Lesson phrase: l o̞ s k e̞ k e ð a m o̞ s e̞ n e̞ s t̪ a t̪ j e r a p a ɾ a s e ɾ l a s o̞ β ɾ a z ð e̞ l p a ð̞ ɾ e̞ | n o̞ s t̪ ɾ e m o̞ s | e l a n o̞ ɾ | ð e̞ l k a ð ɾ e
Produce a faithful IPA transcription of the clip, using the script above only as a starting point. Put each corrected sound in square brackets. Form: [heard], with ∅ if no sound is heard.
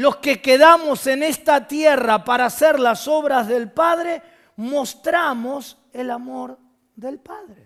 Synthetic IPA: l o̞ s k e̞ k e ð a m o̞ s e̞ n e̞ s t̪ a t̪ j e r a p a ɾ a s e ɾ l a s o̞ β ɾ a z ð e̞ l p a ð̞ ɾ e̞ | [m] o̞ s t̪ ɾ [a] m o̞ s | e l a [m] o̞ ɾ | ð e̞ l [p] a ð ɾ e